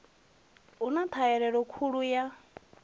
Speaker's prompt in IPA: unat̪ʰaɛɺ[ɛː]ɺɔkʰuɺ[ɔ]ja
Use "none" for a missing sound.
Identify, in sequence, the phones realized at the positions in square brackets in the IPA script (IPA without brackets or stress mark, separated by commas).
ɛ, u